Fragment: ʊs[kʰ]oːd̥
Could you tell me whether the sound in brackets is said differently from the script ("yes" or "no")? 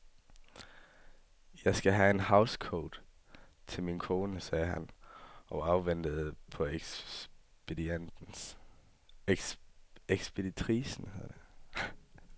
no